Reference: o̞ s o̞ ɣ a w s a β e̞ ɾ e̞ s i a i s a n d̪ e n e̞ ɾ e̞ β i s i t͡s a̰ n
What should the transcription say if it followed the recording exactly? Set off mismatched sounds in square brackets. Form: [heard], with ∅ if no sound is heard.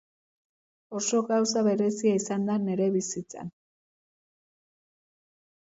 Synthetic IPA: o̞ s o̞ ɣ a w s a β e̞ ɾ e̞ s i a i s a n d̪ [a] n e̞ ɾ e̞ β i s i t͡s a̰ n

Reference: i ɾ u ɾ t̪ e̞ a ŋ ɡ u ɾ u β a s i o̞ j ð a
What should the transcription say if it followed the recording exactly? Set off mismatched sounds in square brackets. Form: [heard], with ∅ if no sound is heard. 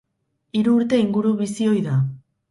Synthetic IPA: i ɾ [uː] ɾ t̪ e̞ [i] ŋ ɡ u ɾ u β [i] s i o̞ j ð a

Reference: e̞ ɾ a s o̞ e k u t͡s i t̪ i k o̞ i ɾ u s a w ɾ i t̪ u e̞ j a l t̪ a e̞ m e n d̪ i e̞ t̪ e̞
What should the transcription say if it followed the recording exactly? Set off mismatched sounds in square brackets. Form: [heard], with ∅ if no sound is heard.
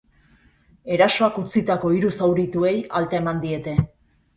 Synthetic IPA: e̞ ɾ a s o̞ [a] k u t͡s i t̪ [a] k o̞ i ɾ u s a w ɾ i t̪ u e̞ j a l t̪ a e̞ m [a] n d̪ i e̞ t̪ e̞

